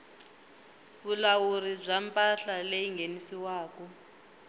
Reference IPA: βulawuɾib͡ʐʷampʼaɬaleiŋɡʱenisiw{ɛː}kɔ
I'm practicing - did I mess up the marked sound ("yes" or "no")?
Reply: yes